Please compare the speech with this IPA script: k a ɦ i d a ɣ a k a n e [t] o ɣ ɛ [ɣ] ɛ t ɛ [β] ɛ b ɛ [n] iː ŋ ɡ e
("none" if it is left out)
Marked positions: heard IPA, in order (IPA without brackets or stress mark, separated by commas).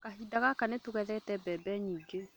t, ð, b, ɲ